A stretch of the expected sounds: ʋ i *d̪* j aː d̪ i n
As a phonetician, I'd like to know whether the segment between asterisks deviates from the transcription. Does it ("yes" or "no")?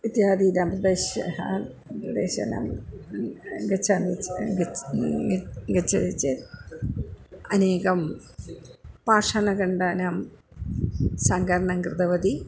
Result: yes